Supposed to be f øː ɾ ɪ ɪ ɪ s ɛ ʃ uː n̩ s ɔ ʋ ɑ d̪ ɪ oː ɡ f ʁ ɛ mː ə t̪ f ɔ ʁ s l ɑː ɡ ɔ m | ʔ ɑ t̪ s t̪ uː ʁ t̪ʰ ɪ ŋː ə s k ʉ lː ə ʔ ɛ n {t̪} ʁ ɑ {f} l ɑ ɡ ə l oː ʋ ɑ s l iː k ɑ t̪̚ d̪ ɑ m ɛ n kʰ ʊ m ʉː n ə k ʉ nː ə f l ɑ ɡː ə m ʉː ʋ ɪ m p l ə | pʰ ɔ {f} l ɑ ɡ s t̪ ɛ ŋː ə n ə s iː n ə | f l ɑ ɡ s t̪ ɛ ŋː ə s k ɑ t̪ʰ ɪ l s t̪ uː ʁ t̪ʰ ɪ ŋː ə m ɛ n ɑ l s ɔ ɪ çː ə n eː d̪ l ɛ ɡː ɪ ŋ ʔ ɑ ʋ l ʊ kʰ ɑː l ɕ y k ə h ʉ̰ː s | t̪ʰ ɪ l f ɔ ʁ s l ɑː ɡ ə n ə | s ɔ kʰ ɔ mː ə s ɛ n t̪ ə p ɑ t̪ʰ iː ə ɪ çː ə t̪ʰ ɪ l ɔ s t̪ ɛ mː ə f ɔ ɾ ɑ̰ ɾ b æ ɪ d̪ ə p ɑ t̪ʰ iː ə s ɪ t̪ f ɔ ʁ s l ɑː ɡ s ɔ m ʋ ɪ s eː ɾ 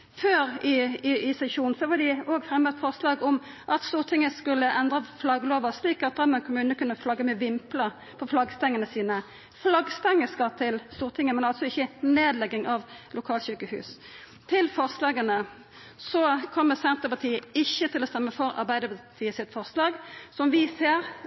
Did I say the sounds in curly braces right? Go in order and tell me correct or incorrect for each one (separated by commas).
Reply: incorrect, correct, correct